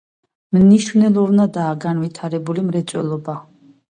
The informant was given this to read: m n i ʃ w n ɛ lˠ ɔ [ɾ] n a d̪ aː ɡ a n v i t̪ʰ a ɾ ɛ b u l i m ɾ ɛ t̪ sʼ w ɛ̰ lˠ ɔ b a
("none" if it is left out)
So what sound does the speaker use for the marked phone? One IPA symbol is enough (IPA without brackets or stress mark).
ɾ